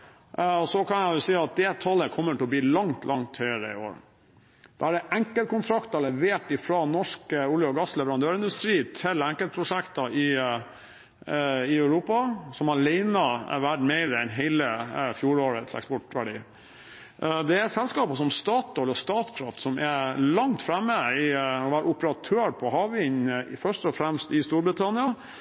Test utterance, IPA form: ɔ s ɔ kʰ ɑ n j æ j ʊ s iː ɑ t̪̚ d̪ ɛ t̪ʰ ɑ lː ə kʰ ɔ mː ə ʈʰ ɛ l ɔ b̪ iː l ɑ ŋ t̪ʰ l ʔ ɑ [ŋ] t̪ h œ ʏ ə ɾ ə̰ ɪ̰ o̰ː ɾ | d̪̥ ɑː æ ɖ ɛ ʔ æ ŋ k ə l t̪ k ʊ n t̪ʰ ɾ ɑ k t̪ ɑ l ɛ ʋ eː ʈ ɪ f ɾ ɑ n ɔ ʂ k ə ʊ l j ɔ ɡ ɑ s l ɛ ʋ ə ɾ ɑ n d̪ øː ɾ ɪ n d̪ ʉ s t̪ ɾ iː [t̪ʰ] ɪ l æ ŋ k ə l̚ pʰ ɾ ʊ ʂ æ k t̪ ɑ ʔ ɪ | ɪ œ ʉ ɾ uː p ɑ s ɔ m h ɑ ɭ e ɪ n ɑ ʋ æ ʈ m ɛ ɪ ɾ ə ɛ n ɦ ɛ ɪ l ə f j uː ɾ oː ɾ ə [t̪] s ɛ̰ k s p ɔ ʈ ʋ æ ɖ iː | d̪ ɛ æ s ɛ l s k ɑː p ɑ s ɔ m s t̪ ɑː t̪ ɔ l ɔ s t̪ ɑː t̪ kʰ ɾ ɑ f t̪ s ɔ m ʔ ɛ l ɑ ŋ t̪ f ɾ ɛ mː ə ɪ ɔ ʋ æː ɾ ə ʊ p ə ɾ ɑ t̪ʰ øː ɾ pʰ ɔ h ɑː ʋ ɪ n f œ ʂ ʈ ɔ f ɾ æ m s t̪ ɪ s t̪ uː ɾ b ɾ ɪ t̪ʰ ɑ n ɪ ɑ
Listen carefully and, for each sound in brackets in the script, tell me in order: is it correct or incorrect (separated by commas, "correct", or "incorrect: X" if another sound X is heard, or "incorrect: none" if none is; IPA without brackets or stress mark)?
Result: correct, correct, correct